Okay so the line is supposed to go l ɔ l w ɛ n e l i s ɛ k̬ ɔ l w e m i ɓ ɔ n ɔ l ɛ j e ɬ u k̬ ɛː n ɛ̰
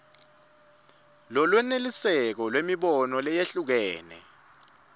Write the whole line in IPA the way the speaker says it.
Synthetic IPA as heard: l ɔ l w ɛ n e l i s ɛ k̬ ɔ l w e m i ɓ ɔ n ɔ l ɛ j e ɬ u k̬ ɛː n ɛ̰